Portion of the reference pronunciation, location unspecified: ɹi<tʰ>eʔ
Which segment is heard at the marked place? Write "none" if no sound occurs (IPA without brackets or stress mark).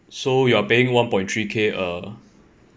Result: kʰ